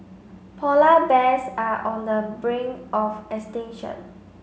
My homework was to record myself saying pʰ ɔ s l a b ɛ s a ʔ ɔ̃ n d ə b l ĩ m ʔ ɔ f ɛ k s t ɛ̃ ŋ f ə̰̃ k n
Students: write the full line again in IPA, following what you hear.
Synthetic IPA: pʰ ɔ l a b ɛ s a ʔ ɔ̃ n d ə b ɹ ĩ ŋ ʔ ɔ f ɛ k s t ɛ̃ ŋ ʃ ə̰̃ n